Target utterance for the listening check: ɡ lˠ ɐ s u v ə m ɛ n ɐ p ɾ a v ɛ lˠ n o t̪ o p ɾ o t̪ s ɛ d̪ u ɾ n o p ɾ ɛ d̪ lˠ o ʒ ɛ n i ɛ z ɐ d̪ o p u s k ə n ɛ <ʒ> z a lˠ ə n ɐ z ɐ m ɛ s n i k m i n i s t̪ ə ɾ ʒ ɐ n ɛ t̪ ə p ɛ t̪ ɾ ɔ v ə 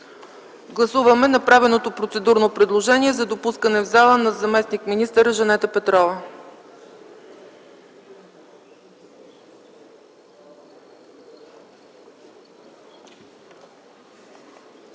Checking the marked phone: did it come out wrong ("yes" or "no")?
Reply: yes